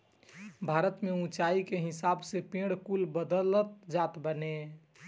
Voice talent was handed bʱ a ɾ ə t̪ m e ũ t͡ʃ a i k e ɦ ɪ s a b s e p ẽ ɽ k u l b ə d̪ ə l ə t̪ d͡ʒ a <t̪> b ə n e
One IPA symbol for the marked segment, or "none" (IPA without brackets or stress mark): t̪